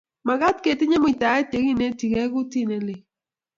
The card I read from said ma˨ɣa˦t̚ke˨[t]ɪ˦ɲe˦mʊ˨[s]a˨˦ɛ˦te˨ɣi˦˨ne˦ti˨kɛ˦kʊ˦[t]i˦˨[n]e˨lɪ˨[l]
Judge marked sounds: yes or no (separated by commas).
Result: yes, no, yes, yes, no